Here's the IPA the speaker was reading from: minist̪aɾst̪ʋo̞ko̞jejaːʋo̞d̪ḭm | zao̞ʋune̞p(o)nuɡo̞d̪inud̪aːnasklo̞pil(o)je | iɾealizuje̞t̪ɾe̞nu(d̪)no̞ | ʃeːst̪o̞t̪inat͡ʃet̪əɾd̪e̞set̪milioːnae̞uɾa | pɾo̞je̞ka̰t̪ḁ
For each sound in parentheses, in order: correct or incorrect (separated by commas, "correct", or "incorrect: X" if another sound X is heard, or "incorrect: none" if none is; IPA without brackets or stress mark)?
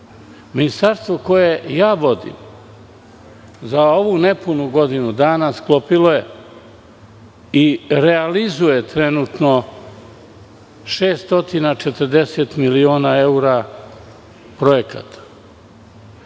incorrect: u, correct, incorrect: t̪